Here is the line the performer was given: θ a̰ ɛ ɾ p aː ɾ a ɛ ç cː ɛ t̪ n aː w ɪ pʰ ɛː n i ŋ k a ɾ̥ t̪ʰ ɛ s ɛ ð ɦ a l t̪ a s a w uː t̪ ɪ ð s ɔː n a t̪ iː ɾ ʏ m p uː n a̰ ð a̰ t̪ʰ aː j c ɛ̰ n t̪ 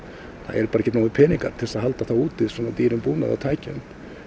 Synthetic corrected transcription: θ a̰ ɛ ɾ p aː ɾ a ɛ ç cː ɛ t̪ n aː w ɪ pʰ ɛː n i ŋ k a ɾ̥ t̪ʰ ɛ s a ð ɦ a l t̪ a θ a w uː t̪ ɪ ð s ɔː n a t̪ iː ɾ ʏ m p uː n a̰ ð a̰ t̪ʰ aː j c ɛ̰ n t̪